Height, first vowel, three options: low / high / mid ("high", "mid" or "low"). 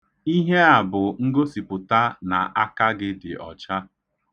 high